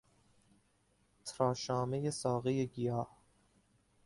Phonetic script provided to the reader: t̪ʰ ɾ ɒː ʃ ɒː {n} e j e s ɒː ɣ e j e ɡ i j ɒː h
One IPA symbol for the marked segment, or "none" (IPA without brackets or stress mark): m